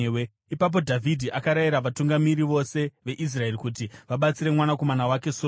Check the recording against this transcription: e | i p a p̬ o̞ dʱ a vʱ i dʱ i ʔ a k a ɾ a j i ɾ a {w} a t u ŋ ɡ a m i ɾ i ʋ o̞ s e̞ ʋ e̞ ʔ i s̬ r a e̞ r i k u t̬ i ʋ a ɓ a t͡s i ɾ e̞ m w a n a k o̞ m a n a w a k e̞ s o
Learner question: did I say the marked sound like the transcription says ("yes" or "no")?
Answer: no